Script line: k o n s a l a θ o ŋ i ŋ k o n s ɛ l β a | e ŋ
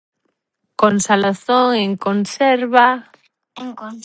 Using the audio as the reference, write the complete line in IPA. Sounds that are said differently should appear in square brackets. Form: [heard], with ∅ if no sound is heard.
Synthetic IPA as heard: k o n s a l a θ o ŋ [e] ŋ k o n s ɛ [ɾ] β a | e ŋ

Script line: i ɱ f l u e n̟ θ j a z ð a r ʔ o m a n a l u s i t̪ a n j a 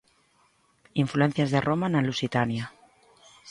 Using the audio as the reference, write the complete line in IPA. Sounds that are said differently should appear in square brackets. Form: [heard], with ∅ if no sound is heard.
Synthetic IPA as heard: i ɱ f l u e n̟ θ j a z ð [e] r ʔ o m a n a l u s i t̪ a n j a

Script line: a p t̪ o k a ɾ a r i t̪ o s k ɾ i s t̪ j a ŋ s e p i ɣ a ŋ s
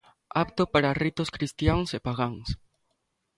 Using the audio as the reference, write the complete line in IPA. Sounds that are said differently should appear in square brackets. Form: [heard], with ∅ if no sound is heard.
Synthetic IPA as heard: a p t̪ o [p] a ɾ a r i t̪ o s k ɾ i s t̪ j a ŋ s e p [a] ɣ a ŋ s

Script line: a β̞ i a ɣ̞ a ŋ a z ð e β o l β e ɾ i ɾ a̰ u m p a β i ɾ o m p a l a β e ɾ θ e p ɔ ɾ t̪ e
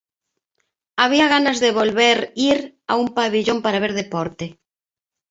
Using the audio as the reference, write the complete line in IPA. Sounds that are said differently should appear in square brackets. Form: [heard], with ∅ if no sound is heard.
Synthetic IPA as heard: a β̞ i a ɣ̞ a [n] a z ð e β o l β e ɾ i ɾ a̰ u m p a β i [ʎ] o m p a [ɾ] a β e ɾ [ð] e p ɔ ɾ t̪ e

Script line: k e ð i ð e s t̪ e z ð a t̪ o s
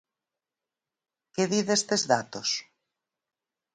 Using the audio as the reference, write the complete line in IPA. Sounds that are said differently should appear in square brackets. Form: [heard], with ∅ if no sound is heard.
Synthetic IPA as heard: k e ð i ð e s t̪ e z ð a t̪ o s

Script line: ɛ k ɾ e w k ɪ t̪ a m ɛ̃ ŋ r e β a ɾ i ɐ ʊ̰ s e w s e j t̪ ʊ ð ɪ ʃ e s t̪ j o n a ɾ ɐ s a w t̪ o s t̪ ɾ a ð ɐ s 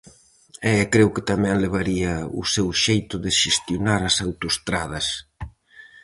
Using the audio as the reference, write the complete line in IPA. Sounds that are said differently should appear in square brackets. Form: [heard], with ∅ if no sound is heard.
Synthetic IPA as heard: ɛ k ɾ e w k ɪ t̪ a m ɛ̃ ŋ [l] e β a ɾ i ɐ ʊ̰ s e w [ʃ] e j t̪ ʊ ð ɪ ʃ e s t̪ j o n a ɾ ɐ s a w t̪ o s t̪ ɾ a ð ɐ s

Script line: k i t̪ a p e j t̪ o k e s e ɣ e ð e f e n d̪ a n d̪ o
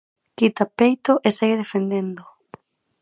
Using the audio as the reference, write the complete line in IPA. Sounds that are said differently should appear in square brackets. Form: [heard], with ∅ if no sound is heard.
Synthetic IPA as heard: k i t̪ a p e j t̪ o [ʔ] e s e ɣ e ð e f e n d̪ [e] n d̪ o

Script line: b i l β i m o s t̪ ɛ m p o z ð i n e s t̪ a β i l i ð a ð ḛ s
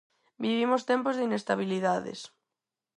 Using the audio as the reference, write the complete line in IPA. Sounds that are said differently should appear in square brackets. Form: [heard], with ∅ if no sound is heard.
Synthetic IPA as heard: b i [∅] β i m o s t̪ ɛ m p o z ð i n e s t̪ a β i l i ð a ð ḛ s

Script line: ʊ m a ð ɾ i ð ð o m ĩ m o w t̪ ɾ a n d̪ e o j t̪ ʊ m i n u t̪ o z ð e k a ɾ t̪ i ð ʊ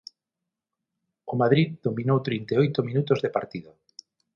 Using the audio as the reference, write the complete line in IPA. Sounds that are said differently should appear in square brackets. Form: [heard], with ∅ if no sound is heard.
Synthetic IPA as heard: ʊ m a ð ɾ i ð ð o m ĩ [n] o w t̪ ɾ [i] n [t̪] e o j t̪ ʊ m i n u t̪ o z ð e [p] a ɾ t̪ i ð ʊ

